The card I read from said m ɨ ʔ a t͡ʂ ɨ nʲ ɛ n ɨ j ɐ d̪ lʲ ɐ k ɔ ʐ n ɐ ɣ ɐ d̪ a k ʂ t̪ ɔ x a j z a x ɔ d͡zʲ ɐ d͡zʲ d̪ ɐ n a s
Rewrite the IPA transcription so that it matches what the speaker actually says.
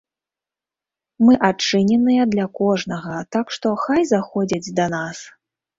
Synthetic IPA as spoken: m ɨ ʔ a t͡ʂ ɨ nʲ ɛ n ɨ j ɐ d̪ lʲ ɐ k ɔ ʐ n ɐ ɣ ɐ t̪ a k ʂ t̪ ɔ x a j z a x ɔ d͡zʲ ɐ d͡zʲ d̪ ɐ n a s